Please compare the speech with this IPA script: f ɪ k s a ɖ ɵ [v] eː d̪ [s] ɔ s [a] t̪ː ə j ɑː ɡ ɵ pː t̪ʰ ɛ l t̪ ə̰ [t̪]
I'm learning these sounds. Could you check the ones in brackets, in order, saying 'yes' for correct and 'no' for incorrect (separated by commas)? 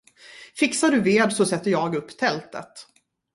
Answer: yes, yes, no, yes